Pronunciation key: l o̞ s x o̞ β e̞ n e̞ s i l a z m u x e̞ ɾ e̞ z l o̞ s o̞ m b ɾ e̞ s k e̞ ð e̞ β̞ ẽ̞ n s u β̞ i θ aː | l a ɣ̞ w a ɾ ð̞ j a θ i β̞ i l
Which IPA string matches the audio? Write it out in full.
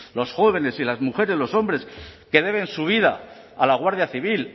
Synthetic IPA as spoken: l o̞ s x o̞ β e̞ n e̞ s i l a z m u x e̞ ɾ e̞ z l o̞ s o̞ m b ɾ e̞ s k e̞ ð e̞ β̞ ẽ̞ n s u β̞ i ð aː | l a ɣ̞ w a ɾ ð̞ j a θ i β̞ i l